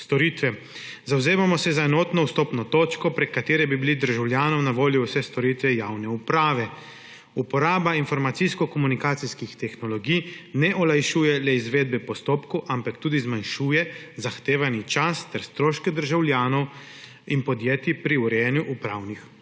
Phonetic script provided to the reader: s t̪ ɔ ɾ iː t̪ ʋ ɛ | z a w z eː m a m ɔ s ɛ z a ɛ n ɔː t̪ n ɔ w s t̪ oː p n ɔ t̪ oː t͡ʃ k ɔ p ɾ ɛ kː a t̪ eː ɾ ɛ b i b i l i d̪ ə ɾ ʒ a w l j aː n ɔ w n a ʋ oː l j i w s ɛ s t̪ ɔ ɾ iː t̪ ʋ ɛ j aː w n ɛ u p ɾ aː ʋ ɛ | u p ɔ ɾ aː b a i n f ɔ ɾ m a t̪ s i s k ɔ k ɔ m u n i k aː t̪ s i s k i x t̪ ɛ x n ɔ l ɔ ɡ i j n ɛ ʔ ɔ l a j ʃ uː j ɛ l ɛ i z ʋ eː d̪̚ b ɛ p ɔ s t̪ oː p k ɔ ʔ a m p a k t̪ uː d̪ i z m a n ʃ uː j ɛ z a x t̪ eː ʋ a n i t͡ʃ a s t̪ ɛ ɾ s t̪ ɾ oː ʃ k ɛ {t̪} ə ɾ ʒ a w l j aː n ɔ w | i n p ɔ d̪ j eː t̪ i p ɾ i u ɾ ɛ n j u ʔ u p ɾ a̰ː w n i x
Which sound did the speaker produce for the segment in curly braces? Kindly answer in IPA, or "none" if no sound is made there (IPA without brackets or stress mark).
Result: d̪